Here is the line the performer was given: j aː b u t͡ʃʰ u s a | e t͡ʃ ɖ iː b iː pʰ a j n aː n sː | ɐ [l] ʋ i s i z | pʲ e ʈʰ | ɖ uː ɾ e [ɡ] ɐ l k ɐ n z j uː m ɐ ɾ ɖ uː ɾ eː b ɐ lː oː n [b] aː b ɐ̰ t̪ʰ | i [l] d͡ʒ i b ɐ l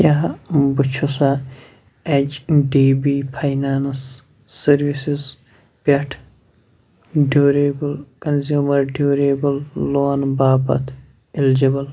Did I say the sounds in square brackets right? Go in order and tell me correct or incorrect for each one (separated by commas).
incorrect, incorrect, correct, correct